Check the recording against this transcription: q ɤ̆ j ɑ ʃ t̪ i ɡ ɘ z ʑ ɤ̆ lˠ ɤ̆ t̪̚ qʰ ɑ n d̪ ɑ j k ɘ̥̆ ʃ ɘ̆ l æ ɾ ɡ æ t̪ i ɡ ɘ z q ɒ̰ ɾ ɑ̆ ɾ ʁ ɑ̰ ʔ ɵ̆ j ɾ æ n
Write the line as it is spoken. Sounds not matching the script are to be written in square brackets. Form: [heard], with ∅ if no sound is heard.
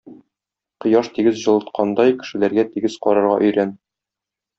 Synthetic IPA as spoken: q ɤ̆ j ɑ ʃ t̪ i ɡ ɘ z ʑ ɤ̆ lˠ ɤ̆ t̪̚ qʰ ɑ n d̪ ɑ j k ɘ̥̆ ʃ ɘ̆ l æ ɾ ɡ æ t̪ i ɡ ɘ z q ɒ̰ ɾ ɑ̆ ɾ ʁ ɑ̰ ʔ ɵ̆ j ɾ æ n

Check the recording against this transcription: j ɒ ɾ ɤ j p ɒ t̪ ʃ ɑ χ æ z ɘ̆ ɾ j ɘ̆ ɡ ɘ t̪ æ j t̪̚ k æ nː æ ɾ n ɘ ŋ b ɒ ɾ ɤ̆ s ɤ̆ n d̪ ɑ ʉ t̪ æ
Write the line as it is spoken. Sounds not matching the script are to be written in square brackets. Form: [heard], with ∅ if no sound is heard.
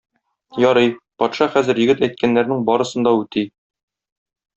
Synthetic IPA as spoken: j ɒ ɾ ɤ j p ɒ t̪ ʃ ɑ χ æ z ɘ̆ ɾ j ɘ̆ ɡ ɘ t̪ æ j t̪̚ k æ nː æ ɾ n ɘ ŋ b ɒ ɾ ɤ̆ s ɤ̆ n d̪ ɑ ʉ t̪ [i]

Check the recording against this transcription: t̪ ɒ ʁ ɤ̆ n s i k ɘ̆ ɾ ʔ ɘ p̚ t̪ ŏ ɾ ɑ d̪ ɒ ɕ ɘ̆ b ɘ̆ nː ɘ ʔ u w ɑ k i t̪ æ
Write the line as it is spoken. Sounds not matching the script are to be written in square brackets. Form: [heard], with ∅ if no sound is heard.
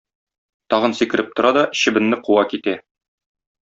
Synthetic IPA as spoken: t̪ ɒ ʁ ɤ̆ n s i k ɘ̆ ɾ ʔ ɘ p̚ t̪ ŏ ɾ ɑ d̪ ɒ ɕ ɘ̆ b ɘ̆ nː ɘ [q] u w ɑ k i t̪ æ

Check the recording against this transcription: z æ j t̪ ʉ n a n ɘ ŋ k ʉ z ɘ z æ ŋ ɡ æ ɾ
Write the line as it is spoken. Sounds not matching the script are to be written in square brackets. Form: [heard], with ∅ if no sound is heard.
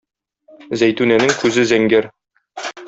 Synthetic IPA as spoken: z æ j t̪ ʉ n [æ] n ɘ ŋ k ʉ z ɘ z æ ŋ ɡ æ ɾ

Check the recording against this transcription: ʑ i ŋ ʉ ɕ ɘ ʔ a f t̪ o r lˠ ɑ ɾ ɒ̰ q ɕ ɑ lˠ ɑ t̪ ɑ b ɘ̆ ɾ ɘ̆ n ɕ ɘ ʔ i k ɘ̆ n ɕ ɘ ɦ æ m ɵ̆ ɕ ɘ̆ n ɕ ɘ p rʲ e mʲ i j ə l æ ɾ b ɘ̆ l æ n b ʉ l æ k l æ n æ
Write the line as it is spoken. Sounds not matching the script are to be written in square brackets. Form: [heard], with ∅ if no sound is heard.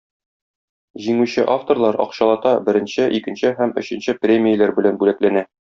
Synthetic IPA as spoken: ʑ i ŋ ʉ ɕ ɘ ʔ a f t̪ o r lˠ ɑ ɾ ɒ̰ q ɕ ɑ lˠ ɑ t̪ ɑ b ɘ̆ ɾ ɘ̆ n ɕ ɘ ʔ i k ɘ̆ n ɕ ɘ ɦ æ m ɵ̆ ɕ ɘ̆ n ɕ ɘ p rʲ e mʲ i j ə l æ ɾ b ɘ̆ l æ n b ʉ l æ k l æ n æ

